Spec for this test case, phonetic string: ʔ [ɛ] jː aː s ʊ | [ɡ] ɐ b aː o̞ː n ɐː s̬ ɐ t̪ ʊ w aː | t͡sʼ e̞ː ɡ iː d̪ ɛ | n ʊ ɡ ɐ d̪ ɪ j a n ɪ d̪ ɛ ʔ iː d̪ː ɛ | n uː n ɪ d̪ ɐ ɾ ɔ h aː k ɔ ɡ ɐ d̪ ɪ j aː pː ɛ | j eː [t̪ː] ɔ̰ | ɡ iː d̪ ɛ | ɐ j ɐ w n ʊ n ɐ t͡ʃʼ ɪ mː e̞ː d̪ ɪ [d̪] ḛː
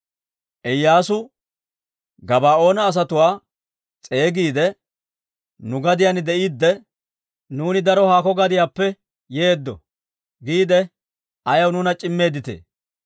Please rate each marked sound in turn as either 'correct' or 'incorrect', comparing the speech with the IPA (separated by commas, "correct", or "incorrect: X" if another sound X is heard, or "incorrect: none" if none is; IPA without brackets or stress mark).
correct, correct, incorrect: d̪ː, incorrect: t̪